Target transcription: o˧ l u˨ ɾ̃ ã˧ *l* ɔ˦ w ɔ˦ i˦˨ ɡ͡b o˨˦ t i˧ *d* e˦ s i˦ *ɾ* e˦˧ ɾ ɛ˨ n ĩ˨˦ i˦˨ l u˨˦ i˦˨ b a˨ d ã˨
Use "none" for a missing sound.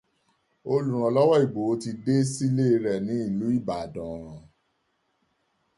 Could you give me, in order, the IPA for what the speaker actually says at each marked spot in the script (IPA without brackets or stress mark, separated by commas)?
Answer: l, d, l